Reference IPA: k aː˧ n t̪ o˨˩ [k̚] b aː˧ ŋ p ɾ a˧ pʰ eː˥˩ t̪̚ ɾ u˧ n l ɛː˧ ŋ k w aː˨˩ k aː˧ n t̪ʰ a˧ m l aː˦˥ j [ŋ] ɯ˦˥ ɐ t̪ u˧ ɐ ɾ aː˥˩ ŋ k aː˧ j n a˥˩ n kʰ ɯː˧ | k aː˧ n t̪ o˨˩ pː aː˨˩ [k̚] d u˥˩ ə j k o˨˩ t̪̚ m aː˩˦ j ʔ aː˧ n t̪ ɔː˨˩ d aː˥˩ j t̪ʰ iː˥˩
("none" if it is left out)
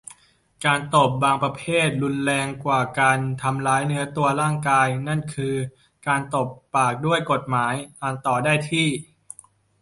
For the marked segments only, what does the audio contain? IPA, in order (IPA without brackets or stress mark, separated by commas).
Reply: p̚, n, k̚